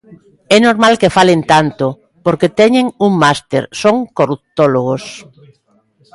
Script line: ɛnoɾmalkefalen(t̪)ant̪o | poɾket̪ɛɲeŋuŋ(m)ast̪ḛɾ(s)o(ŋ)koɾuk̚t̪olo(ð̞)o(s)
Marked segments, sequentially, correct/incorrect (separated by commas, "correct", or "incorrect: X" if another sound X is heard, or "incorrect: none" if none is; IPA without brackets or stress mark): correct, correct, correct, correct, incorrect: ɣ̞, correct